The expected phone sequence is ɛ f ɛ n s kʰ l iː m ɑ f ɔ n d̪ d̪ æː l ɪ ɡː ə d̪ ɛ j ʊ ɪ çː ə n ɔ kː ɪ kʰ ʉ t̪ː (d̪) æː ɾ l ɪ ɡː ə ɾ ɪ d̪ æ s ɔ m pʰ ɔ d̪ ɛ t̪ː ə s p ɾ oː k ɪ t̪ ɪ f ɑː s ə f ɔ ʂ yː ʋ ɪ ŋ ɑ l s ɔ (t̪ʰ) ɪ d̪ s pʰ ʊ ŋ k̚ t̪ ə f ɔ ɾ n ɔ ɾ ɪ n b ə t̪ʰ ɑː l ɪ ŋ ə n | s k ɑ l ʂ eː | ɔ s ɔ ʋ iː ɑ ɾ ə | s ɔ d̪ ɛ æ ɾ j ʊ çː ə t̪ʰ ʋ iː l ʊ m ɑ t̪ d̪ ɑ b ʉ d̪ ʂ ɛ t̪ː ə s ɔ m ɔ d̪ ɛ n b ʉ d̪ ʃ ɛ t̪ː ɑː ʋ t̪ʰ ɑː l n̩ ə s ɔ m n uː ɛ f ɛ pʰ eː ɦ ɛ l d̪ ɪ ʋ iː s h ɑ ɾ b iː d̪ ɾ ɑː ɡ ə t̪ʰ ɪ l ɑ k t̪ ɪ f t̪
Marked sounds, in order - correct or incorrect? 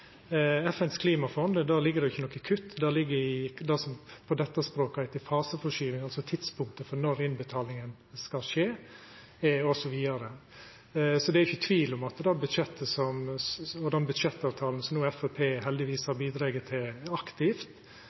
correct, correct

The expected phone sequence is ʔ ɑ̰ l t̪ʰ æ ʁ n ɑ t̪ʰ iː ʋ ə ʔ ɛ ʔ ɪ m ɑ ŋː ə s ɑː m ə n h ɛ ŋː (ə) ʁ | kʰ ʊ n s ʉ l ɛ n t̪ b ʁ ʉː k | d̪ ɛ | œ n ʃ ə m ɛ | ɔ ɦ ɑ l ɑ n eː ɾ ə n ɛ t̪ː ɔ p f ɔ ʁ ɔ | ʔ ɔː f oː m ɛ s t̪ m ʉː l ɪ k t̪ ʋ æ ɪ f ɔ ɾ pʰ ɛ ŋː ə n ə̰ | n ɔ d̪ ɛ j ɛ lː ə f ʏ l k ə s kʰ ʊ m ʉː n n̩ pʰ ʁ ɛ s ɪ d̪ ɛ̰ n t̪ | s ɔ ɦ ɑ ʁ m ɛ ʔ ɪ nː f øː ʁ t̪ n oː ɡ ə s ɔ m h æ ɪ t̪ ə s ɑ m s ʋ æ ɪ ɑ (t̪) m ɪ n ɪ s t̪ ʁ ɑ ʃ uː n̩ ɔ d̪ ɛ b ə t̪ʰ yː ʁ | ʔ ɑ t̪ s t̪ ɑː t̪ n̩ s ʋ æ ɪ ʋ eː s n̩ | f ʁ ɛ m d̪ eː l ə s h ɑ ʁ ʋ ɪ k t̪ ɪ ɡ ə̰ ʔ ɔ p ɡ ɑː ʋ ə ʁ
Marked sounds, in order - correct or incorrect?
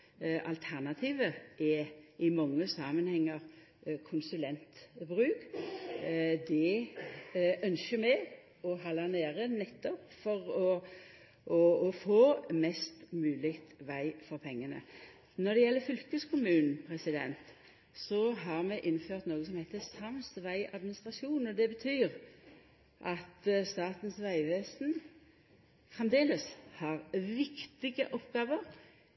correct, incorrect

